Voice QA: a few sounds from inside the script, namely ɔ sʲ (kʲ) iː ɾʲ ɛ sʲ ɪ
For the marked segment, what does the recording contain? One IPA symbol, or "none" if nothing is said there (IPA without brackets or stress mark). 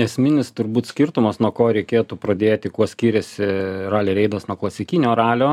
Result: kʲ